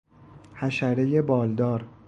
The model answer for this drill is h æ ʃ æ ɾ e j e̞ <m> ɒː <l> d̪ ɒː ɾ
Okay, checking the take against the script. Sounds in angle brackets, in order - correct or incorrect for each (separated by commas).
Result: incorrect, correct